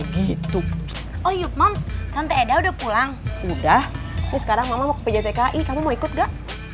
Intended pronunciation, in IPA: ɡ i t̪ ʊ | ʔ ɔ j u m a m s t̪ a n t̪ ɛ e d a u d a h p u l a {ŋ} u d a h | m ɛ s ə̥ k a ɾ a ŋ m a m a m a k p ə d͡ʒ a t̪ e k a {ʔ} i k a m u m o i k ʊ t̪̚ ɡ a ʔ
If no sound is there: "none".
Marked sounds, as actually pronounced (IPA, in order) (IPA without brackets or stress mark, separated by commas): ŋ, ʔ